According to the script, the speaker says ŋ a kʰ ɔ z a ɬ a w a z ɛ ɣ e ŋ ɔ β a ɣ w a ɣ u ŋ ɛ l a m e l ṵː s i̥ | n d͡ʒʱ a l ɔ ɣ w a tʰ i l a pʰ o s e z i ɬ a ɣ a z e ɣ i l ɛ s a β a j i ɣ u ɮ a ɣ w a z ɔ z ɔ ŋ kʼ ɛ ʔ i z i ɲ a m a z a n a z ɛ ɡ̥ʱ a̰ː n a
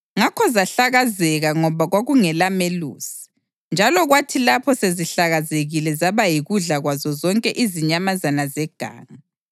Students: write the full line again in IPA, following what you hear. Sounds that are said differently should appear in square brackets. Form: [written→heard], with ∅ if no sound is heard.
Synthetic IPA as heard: ŋ a kʰ ɔ z a ɬ a [w→ɣ] a z ɛ ɣ [e→a] ŋ ɔ β a ɣ w a ɣ u ŋ ɛ l a m e l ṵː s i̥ | n d͡ʒʱ a l ɔ ɣ w a tʰ i l a pʰ [o→ɔ] s e z i ɬ a ɣ a z e ɣ i l ɛ [s→z] a β a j i ɣ u ɮ a ɣ w a z ɔ z ɔ ŋ kʼ ɛ ʔ i z i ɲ a m a z a n a z ɛ ɡ̥ʱ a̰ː [n→ŋ] a

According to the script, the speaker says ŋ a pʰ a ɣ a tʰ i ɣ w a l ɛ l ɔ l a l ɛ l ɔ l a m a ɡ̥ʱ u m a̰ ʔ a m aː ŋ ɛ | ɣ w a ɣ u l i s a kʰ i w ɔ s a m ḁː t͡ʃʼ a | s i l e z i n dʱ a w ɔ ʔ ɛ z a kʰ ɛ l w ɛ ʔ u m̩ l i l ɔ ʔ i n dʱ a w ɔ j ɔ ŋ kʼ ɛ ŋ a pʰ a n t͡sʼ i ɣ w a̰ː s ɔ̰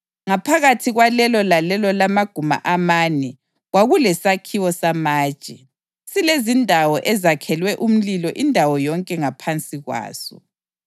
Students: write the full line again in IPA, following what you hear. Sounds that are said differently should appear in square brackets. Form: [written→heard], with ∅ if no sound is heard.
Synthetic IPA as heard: ŋ a pʰ a ɣ a tʰ i ɣ w a l ɛ l ɔ l a l ɛ l ɔ l a m a ɡ̥ʱ u m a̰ ʔ a m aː [ŋ→n] ɛ | ɣ w a ɣ u l [i→ɛ] s a kʰ i w ɔ s a m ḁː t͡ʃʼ [a→ɛ] | s i l e z i n dʱ a w ɔ ʔ ɛ z a kʰ ɛ l w ɛ ʔ u m̩ l i l ɔ ʔ i n dʱ a w ɔ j ɔ ŋ kʼ ɛ ŋ a pʰ a n t͡sʼ i ɣ w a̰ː s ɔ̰

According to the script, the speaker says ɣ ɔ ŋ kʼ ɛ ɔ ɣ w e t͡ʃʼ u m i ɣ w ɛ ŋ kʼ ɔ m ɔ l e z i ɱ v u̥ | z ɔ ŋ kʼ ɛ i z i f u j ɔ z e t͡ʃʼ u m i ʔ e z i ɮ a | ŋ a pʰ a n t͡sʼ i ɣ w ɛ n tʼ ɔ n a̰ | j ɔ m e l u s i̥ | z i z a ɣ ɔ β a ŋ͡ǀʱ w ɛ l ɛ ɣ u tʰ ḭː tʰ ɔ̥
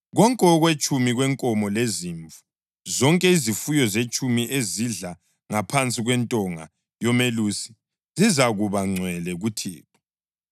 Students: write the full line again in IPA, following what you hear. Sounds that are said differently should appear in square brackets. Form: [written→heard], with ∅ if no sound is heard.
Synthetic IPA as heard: ɣ ɔ ŋ kʼ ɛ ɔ ɣ w e t͡ʃʼ u m i ɣ w ɛ ŋ kʼ ɔ m ɔ l e z i ɱ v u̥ | z ɔ ŋ kʼ ɛ i z i f u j ɔ z e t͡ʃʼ u m i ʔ e z i ɮ a | ŋ a pʰ a n t͡sʼ i ɣ w ɛ n tʼ ɔ [n→ŋ] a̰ | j ɔ m e l u s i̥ | z i z a ɣ [ɔ→u] β a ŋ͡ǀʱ w ɛ l ɛ ɣ u tʰ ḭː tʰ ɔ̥

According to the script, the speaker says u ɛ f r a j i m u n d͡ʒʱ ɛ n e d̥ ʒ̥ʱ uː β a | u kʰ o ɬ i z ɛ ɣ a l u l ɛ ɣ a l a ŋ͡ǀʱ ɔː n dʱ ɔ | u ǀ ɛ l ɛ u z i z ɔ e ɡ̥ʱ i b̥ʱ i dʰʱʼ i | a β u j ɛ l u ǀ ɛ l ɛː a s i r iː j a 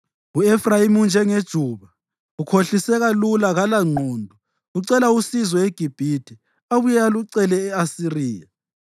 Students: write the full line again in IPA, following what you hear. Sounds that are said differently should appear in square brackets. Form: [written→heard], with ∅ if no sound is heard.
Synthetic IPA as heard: u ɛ f r a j i m u n d͡ʒʱ ɛ [n→ŋ] e d̥ ʒ̥ʱ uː β a | u kʰ o ɬ i [z→s] ɛ ɣ a l u l [ɛ→a] ɣ a l a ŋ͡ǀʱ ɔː n dʱ ɔ | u ǀ ɛ l [ɛ→a] u [z→s] i z ɔ e ɡ̥ʱ i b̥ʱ i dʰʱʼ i | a β u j [ɛ→a] l u ǀ ɛ l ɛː a s i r iː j a

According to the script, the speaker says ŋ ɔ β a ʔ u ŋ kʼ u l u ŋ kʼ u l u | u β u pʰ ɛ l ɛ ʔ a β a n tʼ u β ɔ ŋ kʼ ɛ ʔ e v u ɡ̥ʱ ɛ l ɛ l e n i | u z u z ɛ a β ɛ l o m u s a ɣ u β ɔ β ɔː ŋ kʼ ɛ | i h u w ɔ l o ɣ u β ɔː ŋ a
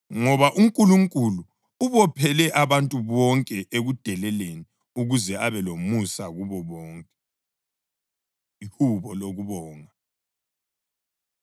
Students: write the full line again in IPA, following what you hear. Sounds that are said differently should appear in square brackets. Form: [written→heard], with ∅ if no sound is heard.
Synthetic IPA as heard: ŋ ɔ β a ʔ u ŋ kʼ u l u ŋ kʼ u l u | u β [u→ɔ] pʰ ɛ l ɛ ʔ a β a n tʼ u β ɔ ŋ kʼ ɛ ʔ e [v→ɣ] u [ɡ̥ʱ→d̥ʱ] ɛ l ɛ l e n i | u [z→ɣ] u z ɛ a β ɛ l o m u s a ɣ u β ɔ β ɔː ŋ kʼ ɛ | i h u [w→β] ɔ l o ɣ u β ɔː ŋ a

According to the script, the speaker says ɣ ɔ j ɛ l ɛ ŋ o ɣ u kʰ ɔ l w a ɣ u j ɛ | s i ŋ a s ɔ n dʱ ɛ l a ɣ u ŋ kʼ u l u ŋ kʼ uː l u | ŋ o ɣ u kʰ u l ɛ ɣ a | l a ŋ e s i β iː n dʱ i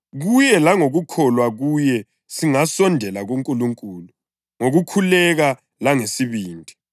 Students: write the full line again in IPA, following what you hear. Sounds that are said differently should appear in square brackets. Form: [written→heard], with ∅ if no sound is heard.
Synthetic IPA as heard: ɣ [ɔ→u] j ɛ l [ɛ→a] ŋ o ɣ u kʰ ɔ l w a ɣ u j ɛ | s i ŋ a s ɔ n dʱ ɛ l a ɣ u ŋ kʼ u l u ŋ kʼ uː l u | ŋ o ɣ u kʰ u l ɛ ɣ a | l a ŋ e s i β iː n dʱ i

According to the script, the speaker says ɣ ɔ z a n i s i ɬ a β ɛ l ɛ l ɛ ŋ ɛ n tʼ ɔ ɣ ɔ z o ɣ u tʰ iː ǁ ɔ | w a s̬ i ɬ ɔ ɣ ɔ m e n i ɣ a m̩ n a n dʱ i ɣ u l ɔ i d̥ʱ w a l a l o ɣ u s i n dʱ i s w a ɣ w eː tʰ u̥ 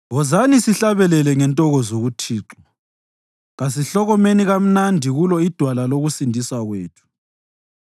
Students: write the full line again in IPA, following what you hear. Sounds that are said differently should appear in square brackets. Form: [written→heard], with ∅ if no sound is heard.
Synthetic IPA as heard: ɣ ɔ z a n i s i ɬ a β ɛ l ɛ l ɛ ŋ ɛ n tʼ ɔ ɣ ɔ z o ɣ u tʰ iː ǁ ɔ | [w→ɣ] a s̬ i ɬ ɔ ɣ ɔ m e n i ɣ a m̩ n a n dʱ i ɣ u l ɔ i d̥ʱ w a l a l o ɣ u s i n dʱ i s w a ɣ w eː tʰ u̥

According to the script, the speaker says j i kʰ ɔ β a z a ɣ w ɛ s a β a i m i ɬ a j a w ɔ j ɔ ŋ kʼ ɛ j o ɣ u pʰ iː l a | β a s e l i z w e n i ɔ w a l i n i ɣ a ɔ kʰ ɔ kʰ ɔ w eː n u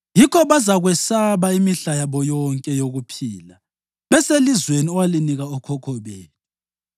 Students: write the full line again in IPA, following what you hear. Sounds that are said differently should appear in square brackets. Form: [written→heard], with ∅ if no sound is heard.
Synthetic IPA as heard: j i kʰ ɔ β a z a ɣ w ɛ s a β a i m i ɬ a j a [w→β] ɔ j ɔ ŋ kʼ ɛ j o ɣ u pʰ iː l a | β [a→ɛ] s e l i z w e n i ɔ w a l i n i ɣ a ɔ kʰ ɔ kʰ ɔ [w→β] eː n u

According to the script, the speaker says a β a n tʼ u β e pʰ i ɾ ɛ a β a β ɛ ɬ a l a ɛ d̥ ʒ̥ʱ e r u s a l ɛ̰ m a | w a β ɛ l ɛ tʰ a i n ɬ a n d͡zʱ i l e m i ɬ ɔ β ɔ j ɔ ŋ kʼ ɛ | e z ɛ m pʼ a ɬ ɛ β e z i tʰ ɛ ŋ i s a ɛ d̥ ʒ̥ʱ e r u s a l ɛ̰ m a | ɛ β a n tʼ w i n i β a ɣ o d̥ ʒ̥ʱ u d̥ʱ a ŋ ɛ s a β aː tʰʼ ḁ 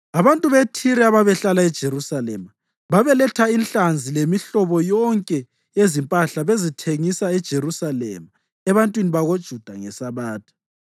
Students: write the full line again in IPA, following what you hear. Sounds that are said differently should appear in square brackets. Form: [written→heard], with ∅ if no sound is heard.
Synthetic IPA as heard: a β a n tʼ u β e [pʰ→tʰ] i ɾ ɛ a β a β ɛ ɬ a l a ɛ d̥ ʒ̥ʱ e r u s a l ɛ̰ m a | [w→β] a β ɛ l ɛ tʰ a i n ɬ a n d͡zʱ i l e m i ɬ ɔ β ɔ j ɔ ŋ kʼ ɛ | e z [ɛ→i] m pʼ a ɬ [ɛ→a] β e z i tʰ [ɛ→e] ŋ i s a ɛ d̥ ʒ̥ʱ e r u s a l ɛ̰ m a | ɛ β a n tʼ w i n i β a ɣ o d̥ ʒ̥ʱ u d̥ʱ a ŋ ɛ s a β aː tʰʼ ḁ

